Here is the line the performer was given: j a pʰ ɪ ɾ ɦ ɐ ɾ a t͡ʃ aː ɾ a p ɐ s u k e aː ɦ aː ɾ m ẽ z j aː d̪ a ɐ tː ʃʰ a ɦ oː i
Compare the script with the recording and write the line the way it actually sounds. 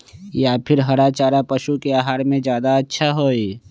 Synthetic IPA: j a pʰ ɪ ɾ ɦ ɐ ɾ a t͡ʃ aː ɾ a p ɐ ʃ u k e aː ɦ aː ɾ m ẽ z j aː d̪ a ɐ tː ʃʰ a ɦ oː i